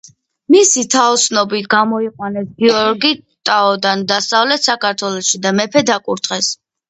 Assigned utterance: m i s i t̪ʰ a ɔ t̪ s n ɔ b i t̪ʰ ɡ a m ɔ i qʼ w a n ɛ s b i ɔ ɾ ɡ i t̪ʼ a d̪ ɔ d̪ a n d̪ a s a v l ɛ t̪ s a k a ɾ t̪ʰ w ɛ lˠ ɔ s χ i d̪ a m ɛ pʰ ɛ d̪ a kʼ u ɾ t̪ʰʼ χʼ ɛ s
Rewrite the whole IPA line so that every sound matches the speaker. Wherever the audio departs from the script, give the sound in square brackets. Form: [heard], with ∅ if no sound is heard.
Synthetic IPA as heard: m i s i t̪ʰ a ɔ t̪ s n ɔ b i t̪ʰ ɡ a m ɔ i qʼ w a n ɛ s [ɡ] i ɔ ɾ ɡ i t̪ʼ a [∅] ɔ d̪ a n d̪ a s a v l ɛ t̪ s a k a ɾ t̪ʰ w ɛ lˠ ɔ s [ʃ] i d̪ a m ɛ pʰ ɛ d̪ a kʼ u ɾ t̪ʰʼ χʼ ɛ s

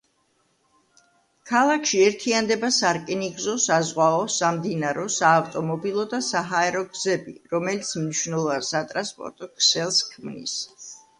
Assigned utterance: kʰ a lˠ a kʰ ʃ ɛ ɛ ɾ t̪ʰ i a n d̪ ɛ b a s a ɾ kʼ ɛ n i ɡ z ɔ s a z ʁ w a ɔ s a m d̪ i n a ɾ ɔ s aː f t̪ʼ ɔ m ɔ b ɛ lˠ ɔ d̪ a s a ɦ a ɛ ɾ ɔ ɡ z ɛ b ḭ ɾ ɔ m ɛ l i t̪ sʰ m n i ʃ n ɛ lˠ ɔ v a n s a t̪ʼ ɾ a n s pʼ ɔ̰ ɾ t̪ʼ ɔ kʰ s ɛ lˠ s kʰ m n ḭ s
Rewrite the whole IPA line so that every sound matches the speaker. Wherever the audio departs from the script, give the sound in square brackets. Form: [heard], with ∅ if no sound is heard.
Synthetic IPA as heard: kʰ a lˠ a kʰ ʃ [i] ɛ ɾ t̪ʰ i a n d̪ ɛ b a s a ɾ kʼ ɛ n i ɡ z ɔ s a z ʁ w a ɔ s a m d̪ i n a ɾ ɔ s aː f t̪ʼ ɔ m ɔ b [i] lˠ ɔ d̪ a s a ɦ a ɛ ɾ ɔ ɡ z ɛ b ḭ ɾ ɔ m ɛ l i t̪ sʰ m n i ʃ n ɛ lˠ ɔ v a n s a t̪ʼ ɾ a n s pʼ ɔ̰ ɾ t̪ʼ ɔ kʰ s ɛ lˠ s kʰ m n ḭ s

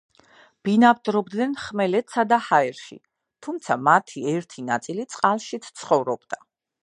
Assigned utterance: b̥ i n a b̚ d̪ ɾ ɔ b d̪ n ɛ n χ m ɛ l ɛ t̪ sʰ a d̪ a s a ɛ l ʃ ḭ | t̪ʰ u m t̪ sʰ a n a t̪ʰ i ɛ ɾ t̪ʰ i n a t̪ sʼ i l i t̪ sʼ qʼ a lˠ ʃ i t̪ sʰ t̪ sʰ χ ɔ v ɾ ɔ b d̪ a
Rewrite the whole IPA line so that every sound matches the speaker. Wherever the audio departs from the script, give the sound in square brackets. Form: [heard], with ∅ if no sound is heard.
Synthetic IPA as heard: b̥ i n a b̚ d̪ ɾ ɔ b d̪ n ɛ n χ m ɛ l ɛ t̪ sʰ a d̪ a [h] a ɛ [ɾ] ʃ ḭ | t̪ʰ u m t̪ sʰ a [m] a t̪ʰ i ɛ ɾ t̪ʰ i n a t̪ sʼ i l i t̪ sʼ qʼ a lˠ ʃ i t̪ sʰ t̪ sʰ χ ɔ v ɾ ɔ b d̪ a

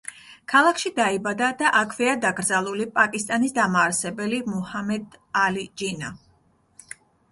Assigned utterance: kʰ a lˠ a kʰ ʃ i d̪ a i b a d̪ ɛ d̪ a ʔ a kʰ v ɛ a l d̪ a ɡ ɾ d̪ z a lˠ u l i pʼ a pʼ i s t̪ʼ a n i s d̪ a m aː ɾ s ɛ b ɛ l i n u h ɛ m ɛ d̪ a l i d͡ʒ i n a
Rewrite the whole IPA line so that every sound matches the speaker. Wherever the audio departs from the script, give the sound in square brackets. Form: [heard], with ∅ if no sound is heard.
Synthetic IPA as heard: kʰ a lˠ a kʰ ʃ i d̪ a i b a d̪ [a] d̪ a ʔ a kʰ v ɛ a [∅] d̪ a ɡ ɾ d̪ z a lˠ u l i pʼ a [kʼ] i s t̪ʼ a n i s d̪ a m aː ɾ s ɛ b ɛ l i [m] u h [a] m ɛ d̪ a l i d͡ʒ i n a

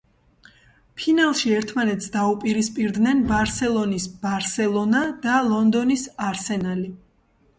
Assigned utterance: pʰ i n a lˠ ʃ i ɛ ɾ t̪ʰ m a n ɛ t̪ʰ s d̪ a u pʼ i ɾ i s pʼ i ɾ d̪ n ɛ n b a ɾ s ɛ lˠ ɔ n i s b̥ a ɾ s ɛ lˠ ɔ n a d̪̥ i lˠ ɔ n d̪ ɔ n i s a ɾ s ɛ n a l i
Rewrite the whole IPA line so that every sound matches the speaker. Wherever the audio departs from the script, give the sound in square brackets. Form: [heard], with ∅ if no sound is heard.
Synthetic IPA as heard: pʰ i n a lˠ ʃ i ɛ ɾ t̪ʰ m a n ɛ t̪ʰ s d̪ a u pʼ i ɾ i s pʼ i ɾ d̪ n ɛ n b a ɾ s ɛ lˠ ɔ n i s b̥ a ɾ s ɛ lˠ ɔ n a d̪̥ [a] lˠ ɔ n d̪ ɔ n i s a ɾ s ɛ n a l i

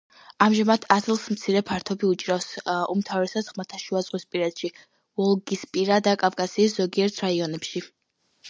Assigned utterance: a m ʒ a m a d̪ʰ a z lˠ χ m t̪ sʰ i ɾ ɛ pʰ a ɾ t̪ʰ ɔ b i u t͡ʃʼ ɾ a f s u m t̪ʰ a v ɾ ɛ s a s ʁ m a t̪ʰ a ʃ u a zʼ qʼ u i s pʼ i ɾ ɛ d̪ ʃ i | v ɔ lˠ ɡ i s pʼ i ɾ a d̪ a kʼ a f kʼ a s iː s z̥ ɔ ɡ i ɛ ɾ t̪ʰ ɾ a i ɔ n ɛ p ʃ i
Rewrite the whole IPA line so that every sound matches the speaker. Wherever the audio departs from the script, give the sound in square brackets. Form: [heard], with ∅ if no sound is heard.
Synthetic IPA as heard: a m ʒ a m a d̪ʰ a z lˠ [s] m t̪ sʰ i ɾ ɛ pʰ a ɾ t̪ʰ ɔ b i u t͡ʃʼ ɾ a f s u m t̪ʰ a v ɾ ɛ s a s ʁ m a t̪ʰ a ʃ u a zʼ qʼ [w] i s pʼ i ɾ ɛ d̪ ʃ i | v ɔ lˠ ɡ i s pʼ i ɾ a d̪ a kʼ a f kʼ a s iː s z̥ ɔ ɡ i ɛ ɾ t̪ʰ ɾ a i ɔ n ɛ p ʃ i

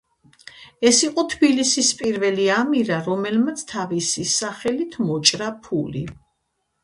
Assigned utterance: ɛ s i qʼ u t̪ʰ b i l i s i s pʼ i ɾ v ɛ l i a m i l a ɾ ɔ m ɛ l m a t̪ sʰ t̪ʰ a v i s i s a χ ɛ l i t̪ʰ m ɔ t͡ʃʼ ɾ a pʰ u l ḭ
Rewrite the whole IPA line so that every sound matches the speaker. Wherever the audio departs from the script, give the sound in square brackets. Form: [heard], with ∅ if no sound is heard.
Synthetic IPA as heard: ɛ s i qʼ [ɔ] t̪ʰ b i l i s i s pʼ i ɾ v ɛ l i a m i [ɾ] a ɾ ɔ m ɛ l m a t̪ sʰ t̪ʰ a v i s i s a χ ɛ l i t̪ʰ m ɔ t͡ʃʼ ɾ a pʰ u l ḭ

